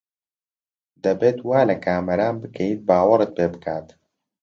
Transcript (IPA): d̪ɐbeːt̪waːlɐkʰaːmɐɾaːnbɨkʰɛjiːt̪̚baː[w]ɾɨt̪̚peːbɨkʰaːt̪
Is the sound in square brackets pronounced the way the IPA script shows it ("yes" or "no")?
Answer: yes